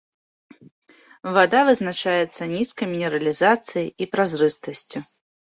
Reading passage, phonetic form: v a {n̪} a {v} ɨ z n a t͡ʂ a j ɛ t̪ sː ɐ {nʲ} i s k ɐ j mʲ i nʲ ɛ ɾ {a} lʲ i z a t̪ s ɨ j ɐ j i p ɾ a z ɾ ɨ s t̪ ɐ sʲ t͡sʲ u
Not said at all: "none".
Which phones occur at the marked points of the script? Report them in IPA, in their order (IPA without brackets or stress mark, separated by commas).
d̪, v, nʲ, ɐ